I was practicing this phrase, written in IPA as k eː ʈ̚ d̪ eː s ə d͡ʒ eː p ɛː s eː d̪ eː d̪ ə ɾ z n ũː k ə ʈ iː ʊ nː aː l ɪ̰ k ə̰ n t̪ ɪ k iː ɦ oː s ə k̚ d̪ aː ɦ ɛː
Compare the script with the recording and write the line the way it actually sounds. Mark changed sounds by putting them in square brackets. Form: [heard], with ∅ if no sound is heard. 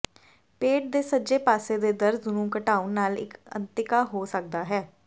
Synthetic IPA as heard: [p] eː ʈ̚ d̪ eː s ə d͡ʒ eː p [aː] s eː d̪ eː d̪ ə ɾ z n ũː k ə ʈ [aː] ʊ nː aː l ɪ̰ k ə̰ n t̪ ɪ k [aː] ɦ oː s ə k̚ d̪ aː ɦ ɛː